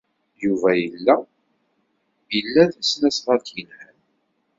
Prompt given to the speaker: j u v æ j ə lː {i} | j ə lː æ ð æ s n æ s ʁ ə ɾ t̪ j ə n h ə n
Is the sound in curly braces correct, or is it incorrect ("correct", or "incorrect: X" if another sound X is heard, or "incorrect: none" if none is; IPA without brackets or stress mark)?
incorrect: æ